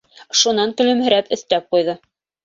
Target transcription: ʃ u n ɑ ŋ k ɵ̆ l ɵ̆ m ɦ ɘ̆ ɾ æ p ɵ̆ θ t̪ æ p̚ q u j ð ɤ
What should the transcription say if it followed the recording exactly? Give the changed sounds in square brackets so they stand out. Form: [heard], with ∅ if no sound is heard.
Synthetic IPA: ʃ u n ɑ ŋ k ɵ̆ l ɵ̆ m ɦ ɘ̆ ɾ æ p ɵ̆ θ t̪ æ p̚ q u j ð ɤ